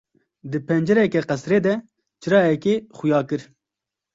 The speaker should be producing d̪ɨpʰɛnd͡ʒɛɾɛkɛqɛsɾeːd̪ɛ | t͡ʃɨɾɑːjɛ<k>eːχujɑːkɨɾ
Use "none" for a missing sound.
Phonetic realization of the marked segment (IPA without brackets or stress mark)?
k